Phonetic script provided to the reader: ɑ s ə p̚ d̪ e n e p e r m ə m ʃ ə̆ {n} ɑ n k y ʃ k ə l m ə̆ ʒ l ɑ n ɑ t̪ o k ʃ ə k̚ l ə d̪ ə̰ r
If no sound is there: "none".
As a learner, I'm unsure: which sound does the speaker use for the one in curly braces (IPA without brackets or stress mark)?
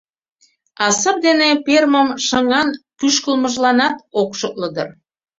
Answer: ŋ